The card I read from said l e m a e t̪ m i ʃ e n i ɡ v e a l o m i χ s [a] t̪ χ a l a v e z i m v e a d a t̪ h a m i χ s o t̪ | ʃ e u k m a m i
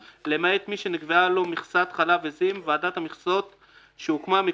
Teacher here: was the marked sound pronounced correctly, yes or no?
yes